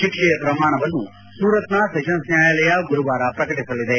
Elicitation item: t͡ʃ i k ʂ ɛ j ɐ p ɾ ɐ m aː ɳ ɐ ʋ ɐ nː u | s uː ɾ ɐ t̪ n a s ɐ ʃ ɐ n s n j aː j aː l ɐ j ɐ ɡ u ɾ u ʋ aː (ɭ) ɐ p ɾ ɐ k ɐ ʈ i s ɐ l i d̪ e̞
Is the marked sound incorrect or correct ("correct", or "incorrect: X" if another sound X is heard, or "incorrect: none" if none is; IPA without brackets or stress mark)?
incorrect: ɾ